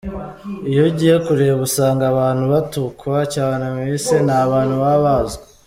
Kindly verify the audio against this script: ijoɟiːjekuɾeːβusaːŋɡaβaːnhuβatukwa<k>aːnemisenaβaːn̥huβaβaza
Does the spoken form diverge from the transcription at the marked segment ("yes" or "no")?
yes